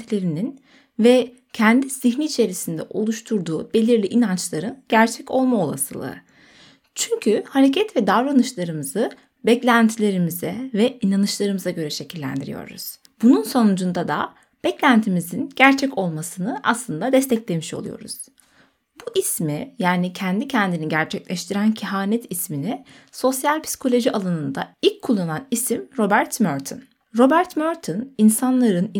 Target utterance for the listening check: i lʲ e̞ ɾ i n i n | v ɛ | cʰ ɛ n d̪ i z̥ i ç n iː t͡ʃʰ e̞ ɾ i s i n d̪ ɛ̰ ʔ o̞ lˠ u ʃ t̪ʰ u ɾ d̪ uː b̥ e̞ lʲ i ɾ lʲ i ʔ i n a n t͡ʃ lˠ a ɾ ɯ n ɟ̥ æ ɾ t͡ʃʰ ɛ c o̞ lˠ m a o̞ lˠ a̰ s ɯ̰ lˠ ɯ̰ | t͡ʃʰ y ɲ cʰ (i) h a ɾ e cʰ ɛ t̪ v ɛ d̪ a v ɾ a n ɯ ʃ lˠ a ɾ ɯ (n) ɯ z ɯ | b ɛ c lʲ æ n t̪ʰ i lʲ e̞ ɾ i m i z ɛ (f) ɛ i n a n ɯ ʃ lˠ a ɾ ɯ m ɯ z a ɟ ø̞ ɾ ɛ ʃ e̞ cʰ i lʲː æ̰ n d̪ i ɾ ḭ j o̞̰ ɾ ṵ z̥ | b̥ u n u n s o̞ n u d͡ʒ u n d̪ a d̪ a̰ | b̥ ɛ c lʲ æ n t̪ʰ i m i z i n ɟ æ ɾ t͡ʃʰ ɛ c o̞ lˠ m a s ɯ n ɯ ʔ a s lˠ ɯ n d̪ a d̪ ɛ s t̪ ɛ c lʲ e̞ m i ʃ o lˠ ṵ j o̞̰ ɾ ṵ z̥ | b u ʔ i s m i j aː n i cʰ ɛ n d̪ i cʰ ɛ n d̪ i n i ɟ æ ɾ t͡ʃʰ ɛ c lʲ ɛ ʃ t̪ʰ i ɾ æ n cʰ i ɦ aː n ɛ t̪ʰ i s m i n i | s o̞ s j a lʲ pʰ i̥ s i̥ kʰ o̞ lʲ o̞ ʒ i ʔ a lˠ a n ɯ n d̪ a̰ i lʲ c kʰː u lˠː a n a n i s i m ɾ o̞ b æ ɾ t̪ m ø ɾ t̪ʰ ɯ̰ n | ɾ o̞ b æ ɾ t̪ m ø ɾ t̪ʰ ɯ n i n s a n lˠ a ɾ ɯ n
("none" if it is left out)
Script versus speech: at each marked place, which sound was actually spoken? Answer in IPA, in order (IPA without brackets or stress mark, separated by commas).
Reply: y, m, v